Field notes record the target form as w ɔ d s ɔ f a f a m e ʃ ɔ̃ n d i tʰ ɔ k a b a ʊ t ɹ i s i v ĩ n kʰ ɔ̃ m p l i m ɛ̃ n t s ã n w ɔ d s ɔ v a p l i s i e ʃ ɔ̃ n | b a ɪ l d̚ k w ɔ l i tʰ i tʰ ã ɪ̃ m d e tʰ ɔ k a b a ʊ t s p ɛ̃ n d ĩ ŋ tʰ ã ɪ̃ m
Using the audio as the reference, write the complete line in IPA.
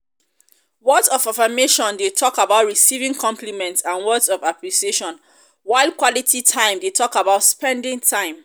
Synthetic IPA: w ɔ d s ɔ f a f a m e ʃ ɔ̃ n d e tʰ ɔ k a b a ʊ t ɹ i s i v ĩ ŋ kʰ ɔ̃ m p l i m ɛ̃ n t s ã n w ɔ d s ɔ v a p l i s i e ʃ ɔ̃ n | w a ɪ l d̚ k w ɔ l i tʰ i tʰ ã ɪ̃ m d e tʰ ɔ k a b a ʊ t s p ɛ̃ n d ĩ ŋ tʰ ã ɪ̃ m